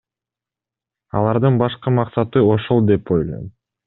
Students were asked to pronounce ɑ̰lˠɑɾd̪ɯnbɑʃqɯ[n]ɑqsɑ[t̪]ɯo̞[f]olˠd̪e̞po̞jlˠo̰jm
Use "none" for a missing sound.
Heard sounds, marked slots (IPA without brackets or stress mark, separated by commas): m, t̪, ʃ